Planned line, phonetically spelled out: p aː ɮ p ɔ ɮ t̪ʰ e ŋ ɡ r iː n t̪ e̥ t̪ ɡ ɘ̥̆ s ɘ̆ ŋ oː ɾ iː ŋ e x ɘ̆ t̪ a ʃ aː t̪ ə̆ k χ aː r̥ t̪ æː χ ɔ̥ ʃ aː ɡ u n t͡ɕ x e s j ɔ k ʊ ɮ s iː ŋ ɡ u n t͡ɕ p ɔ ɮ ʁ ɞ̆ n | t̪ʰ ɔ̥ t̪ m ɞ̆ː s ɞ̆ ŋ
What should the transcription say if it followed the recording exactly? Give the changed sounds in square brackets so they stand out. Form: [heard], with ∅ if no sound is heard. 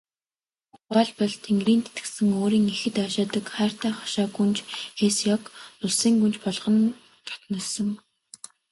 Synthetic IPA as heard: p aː ɮ p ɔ ɮ t̪ʰ e ŋ ɡ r iː n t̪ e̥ t̪ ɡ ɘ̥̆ s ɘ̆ ŋ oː ɾ iː ŋ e x ɘ̆ t̪ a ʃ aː t̪ ə̆ k χ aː r̥ t̪ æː χ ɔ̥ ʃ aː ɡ u n t͡ɕ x e s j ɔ k ʊ ɮ s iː ŋ ɡ u n t͡ɕ p ɔ ɮ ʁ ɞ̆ n | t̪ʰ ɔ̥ t̪ [n] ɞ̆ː s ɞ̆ ŋ